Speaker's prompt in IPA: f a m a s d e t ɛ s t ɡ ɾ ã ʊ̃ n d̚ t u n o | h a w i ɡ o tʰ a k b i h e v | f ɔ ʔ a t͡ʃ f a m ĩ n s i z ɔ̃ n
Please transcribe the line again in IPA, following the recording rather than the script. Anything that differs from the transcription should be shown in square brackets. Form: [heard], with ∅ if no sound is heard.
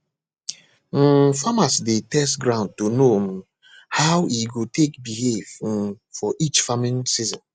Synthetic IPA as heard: f a m a s d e t ɛ s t ɡ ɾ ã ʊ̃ n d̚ t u n o | h a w i ɡ o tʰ [e] k b i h e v | f ɔ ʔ [i] t͡ʃ f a m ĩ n s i z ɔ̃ n